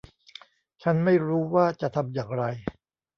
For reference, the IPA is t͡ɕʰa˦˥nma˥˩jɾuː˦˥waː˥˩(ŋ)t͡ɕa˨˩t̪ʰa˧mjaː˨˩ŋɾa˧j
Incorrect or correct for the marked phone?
incorrect: none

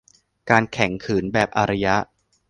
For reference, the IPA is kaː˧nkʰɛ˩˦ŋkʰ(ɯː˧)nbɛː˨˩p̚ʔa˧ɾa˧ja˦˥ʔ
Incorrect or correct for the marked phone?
incorrect: ɯː˩˦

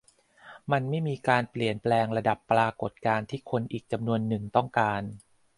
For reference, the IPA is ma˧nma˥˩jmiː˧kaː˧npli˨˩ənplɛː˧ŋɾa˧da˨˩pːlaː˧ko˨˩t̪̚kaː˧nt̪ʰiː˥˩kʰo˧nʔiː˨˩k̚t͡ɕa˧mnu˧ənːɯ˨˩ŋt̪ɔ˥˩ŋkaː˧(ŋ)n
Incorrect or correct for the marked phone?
incorrect: none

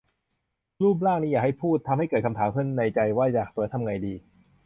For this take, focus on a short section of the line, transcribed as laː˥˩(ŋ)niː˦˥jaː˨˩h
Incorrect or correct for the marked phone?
correct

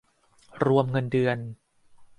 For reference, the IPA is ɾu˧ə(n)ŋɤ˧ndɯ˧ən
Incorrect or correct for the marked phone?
incorrect: m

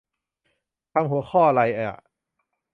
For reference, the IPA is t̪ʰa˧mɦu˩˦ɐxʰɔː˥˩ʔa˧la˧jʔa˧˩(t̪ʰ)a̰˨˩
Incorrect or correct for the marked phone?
incorrect: none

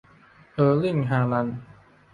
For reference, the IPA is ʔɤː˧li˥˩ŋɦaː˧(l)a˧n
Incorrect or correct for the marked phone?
correct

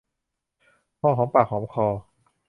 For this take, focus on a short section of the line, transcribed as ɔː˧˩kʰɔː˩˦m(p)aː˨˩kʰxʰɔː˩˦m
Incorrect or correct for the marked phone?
correct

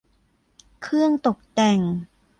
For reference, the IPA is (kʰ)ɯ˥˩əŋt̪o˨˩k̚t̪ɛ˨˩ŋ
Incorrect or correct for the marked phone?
correct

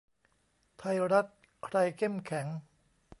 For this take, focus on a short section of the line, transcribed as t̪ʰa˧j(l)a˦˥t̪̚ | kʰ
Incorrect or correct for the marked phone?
incorrect: ɾ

